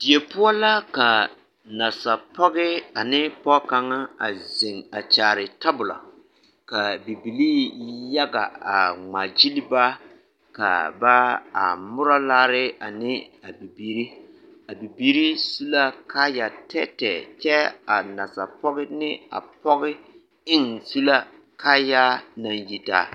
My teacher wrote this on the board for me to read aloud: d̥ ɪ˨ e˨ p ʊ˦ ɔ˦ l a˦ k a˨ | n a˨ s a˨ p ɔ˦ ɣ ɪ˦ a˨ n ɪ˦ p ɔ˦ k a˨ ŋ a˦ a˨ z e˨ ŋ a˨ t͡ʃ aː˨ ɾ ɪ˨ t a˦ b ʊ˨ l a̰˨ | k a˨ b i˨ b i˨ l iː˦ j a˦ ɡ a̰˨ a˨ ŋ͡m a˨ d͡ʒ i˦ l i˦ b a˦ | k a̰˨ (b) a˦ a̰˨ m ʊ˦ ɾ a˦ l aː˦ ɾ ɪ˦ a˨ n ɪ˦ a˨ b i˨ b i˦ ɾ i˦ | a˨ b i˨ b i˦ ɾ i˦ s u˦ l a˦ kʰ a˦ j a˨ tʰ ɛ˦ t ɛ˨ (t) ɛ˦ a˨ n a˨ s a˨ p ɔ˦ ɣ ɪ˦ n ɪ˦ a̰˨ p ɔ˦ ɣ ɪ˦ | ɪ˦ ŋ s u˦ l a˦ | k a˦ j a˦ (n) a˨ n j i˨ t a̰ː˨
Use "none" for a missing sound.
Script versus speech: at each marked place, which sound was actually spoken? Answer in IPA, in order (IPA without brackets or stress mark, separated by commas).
b, t͡ʃ, n